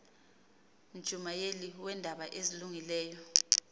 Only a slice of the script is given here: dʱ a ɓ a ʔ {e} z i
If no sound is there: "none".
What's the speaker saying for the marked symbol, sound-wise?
e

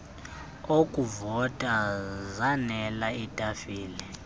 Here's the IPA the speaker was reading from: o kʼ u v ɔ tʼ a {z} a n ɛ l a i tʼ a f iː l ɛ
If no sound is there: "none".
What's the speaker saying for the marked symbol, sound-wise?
z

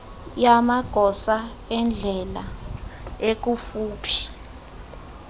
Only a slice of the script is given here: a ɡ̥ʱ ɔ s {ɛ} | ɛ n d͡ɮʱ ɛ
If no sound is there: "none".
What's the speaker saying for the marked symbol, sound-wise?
a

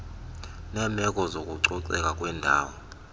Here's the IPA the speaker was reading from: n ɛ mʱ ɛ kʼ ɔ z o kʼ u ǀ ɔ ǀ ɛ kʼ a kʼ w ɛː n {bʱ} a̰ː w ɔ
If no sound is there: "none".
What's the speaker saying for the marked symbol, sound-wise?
dʱ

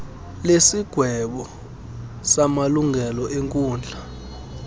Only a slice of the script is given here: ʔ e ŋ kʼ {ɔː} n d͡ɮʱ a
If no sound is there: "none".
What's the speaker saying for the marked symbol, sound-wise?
uː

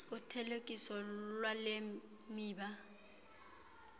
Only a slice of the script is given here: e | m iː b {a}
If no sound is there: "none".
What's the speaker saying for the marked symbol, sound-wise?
a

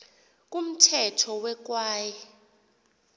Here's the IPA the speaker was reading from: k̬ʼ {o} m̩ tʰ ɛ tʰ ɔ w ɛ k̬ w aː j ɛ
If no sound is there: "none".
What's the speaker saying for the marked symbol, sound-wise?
u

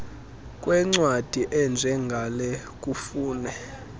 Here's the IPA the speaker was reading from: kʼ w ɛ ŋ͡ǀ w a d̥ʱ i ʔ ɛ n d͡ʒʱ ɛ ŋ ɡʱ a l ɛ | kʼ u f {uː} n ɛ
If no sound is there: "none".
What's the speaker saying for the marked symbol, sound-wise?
uː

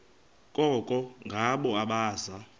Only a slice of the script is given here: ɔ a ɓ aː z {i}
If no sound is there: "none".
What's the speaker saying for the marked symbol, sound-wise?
a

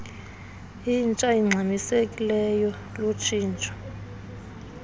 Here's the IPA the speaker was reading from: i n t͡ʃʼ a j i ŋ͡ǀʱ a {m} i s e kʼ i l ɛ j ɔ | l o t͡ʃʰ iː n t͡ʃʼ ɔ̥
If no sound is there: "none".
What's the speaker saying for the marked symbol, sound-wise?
m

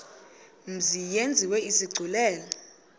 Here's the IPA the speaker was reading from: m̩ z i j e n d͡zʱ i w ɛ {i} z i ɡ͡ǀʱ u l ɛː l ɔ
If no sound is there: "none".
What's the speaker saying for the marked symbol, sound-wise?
i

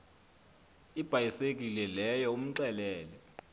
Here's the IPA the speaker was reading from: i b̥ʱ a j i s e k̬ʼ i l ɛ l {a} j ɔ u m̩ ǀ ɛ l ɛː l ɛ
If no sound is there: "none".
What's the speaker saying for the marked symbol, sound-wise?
ɛ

